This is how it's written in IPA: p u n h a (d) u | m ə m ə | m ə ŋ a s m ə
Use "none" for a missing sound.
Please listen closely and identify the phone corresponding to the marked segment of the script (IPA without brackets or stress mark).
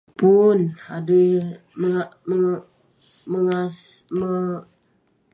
d